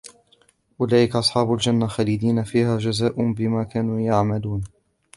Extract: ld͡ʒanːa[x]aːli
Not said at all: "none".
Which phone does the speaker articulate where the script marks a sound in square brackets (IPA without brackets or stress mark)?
x